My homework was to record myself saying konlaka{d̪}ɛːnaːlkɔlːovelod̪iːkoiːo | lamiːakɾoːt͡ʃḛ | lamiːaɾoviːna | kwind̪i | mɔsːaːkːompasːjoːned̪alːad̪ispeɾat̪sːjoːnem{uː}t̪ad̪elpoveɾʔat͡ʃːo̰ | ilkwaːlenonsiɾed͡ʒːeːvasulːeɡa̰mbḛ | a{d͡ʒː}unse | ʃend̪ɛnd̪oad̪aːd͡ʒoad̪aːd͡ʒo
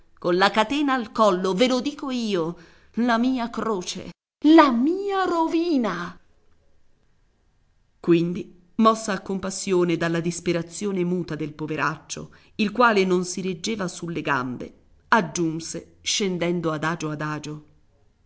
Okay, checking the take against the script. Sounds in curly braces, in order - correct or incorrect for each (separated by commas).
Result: incorrect, correct, correct